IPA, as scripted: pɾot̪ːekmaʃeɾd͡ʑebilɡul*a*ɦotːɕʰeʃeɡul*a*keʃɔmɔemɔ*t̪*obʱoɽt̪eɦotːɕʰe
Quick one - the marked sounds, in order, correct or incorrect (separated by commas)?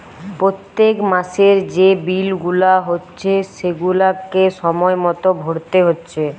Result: correct, correct, correct